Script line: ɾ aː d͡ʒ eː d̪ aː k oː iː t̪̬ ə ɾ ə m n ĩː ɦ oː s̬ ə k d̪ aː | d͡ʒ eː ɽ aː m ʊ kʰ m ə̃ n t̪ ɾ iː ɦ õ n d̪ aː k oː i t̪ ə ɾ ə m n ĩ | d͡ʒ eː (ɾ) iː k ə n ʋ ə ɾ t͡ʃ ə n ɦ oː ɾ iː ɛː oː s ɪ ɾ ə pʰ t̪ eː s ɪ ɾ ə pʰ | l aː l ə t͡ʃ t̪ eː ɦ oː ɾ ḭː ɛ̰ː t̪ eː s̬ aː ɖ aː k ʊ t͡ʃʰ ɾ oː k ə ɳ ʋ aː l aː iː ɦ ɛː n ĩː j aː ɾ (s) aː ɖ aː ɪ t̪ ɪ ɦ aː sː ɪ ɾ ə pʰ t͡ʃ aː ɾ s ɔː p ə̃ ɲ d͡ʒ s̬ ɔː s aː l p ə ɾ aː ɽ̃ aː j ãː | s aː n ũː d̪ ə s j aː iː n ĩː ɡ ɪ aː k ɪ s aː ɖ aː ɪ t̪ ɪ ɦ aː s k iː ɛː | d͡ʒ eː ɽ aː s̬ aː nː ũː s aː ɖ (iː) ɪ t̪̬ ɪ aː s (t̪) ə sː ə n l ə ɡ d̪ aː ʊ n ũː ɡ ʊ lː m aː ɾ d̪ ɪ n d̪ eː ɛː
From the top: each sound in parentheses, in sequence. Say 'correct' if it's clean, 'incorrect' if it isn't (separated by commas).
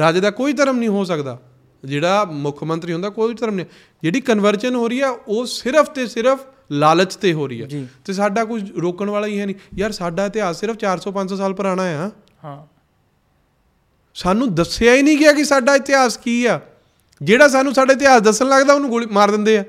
incorrect, correct, incorrect, incorrect